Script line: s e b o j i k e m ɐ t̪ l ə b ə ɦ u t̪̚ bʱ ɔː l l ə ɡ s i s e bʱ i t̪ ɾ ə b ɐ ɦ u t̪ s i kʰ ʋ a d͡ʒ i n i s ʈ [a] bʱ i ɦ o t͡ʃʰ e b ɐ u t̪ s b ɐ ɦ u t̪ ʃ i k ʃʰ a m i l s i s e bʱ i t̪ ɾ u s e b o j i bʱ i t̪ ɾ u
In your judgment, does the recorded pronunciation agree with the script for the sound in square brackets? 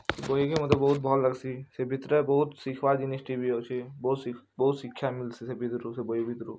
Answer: no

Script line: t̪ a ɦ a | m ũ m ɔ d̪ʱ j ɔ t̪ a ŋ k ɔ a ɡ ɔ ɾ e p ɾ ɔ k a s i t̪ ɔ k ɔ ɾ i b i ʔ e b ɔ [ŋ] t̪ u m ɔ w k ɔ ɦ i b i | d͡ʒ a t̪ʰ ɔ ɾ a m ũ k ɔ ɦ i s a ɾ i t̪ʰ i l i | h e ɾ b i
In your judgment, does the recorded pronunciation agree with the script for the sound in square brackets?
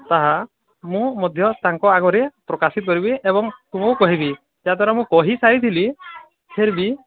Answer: yes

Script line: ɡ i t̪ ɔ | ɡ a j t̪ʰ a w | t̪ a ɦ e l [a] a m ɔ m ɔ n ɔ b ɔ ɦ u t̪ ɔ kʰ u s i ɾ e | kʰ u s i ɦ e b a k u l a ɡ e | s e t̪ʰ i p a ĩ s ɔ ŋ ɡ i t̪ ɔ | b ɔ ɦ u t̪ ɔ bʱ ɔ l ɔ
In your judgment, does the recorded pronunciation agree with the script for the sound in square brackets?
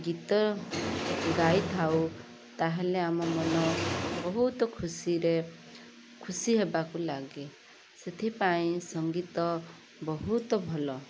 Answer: no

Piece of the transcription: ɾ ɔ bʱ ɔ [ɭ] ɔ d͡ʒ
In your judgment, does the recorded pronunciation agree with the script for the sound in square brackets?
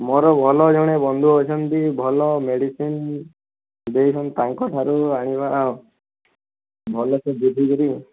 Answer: no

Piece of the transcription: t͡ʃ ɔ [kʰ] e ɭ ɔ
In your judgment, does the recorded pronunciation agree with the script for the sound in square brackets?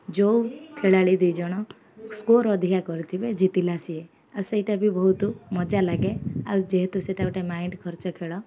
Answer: yes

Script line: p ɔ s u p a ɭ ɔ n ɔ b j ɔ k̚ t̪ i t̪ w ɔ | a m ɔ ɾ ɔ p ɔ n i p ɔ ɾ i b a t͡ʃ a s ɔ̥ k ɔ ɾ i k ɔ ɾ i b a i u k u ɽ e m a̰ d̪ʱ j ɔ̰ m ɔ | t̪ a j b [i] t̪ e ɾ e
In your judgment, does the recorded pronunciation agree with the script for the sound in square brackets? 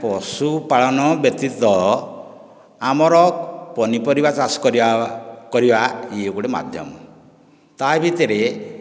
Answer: yes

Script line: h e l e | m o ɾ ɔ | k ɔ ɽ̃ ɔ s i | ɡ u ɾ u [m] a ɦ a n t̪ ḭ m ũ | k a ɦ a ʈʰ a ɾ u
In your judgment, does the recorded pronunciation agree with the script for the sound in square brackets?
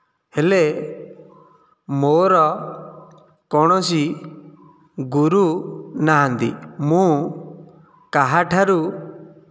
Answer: no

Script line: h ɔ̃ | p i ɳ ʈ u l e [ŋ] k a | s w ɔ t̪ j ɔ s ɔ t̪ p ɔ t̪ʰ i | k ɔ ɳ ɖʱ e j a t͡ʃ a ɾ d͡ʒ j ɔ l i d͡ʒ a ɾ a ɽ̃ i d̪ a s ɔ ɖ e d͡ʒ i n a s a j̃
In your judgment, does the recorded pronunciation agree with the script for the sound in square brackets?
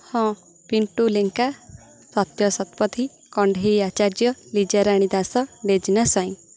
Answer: yes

